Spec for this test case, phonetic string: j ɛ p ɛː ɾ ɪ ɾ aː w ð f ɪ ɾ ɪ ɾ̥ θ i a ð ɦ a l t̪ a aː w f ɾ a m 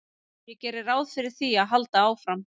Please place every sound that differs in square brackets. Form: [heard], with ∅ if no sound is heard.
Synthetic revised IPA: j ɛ [c] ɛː ɾ ɪ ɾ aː w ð f ɪ ɾ ɪ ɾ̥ θ i a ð ɦ a l t̪ a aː w f ɾ a m